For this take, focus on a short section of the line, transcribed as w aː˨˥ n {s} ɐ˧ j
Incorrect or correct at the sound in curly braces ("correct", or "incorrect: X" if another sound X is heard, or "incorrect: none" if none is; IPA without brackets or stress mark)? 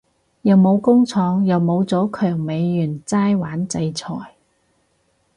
incorrect: t͡s